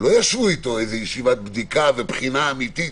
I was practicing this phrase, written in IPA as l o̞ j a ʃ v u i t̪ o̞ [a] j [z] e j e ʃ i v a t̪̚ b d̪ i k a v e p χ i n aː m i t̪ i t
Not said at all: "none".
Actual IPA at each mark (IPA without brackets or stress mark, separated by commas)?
e, z